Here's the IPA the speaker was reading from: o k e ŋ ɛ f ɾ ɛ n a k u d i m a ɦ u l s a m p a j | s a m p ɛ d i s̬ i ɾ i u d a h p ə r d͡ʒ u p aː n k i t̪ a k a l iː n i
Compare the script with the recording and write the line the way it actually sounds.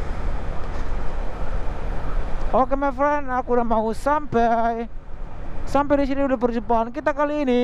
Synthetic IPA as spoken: o k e m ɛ f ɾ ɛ n a k u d a m a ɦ u s a m p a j | s a m p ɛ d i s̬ i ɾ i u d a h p ə r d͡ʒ u p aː n k i t̪ a k a l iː n i